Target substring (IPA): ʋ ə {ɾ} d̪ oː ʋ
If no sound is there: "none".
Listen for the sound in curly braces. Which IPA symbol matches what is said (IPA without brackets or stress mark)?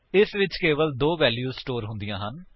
l